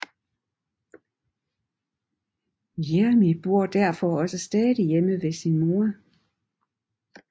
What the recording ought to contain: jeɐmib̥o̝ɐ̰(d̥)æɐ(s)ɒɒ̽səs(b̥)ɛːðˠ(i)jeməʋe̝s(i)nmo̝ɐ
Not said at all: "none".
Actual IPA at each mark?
d̥, f, d̥, i, i

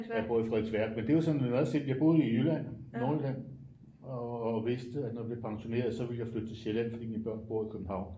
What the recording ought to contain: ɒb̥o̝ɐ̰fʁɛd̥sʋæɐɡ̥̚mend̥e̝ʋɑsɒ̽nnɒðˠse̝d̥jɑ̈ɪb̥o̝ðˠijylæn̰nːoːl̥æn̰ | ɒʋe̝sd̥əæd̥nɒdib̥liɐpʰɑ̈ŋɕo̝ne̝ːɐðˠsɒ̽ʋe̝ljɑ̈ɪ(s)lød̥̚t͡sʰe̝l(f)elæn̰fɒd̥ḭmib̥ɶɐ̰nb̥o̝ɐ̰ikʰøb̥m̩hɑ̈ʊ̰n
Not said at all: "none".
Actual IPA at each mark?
f, ɕ

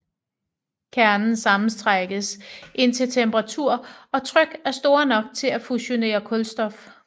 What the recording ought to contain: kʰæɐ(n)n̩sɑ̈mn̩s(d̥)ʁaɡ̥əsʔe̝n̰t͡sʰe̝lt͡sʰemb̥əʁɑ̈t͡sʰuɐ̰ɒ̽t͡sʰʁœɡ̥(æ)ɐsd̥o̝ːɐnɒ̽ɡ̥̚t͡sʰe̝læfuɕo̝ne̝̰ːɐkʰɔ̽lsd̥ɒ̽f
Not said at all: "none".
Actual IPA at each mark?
n, d̥, æ

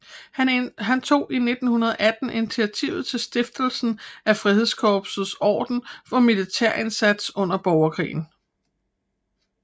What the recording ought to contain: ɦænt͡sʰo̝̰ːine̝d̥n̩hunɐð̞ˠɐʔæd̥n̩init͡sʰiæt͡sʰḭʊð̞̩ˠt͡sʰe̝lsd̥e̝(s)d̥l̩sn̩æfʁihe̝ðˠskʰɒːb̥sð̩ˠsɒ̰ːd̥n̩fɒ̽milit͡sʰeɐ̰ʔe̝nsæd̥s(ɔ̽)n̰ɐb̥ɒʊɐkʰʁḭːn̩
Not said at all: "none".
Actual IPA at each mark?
f, ɔ̽

